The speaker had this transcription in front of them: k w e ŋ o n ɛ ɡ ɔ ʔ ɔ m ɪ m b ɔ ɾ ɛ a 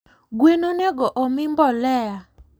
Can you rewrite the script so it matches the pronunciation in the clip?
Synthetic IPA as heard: ɡ w e n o n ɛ ɡ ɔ ʔ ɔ m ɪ m b ɔ l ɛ a